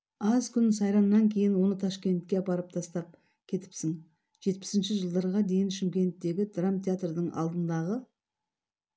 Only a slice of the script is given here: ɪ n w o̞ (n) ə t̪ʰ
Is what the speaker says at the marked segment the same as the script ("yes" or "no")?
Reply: yes